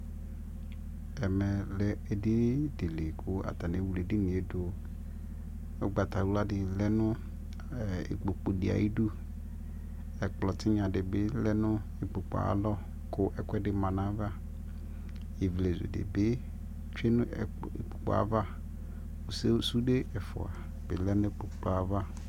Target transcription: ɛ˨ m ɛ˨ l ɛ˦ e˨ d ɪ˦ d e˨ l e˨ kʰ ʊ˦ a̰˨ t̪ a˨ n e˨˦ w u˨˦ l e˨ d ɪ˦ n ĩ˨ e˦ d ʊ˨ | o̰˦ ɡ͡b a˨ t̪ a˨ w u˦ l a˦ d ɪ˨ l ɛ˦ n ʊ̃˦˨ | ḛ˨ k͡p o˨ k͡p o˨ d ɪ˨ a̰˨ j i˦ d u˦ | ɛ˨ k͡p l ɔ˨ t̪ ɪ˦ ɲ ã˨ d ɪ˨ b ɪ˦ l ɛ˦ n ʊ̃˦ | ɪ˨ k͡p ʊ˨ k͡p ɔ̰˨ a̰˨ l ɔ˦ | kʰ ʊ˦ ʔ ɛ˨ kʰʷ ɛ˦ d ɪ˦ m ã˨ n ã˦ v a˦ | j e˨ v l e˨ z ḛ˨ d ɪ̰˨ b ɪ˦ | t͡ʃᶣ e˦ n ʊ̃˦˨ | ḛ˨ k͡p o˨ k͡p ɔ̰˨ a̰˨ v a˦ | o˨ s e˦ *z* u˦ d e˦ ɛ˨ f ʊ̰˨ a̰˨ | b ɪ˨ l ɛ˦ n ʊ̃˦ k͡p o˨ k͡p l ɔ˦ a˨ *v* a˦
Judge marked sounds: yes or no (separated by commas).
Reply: no, yes